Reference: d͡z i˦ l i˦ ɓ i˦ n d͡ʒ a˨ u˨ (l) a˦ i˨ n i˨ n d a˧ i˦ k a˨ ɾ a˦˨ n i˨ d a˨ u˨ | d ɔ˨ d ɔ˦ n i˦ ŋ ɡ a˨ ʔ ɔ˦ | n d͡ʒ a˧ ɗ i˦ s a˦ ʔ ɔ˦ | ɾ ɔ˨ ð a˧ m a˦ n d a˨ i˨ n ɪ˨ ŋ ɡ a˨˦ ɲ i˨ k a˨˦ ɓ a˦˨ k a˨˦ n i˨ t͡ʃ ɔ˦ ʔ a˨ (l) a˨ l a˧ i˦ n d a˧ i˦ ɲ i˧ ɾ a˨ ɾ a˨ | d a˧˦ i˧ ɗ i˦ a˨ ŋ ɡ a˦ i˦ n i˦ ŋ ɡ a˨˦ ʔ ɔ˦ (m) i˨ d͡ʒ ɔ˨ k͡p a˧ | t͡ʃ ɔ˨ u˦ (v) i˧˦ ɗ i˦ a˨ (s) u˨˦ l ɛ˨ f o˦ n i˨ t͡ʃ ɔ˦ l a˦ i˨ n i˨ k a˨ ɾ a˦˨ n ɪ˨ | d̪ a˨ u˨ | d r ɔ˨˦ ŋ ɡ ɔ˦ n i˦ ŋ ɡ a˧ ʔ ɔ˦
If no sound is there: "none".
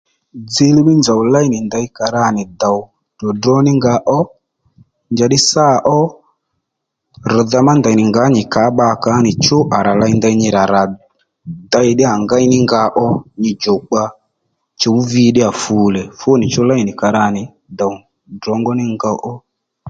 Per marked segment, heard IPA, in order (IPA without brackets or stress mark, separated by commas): l, ɾ, ɲ, v, f